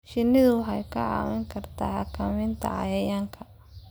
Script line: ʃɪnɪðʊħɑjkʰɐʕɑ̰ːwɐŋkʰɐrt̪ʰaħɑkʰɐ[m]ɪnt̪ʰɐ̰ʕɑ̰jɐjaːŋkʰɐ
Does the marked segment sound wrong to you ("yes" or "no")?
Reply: no